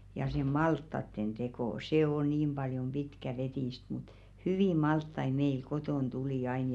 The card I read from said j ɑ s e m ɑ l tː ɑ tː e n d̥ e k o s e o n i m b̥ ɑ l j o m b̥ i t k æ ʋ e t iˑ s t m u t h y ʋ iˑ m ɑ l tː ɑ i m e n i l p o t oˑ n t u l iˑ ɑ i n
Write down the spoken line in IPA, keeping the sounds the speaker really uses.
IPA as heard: j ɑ s e m ɑ l tː ɑ tː e n d̥ e k o s e o n iː m b̥ ɑ l j o m b̥ i t k æ ʋ e t iˑ s t m u t h y ʋ iˑ m ɑ l tː ɑ i m e i l k o t oˑ n t u l iˑ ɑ i n